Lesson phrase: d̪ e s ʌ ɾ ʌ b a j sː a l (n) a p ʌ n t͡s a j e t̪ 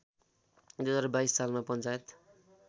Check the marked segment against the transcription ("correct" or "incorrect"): incorrect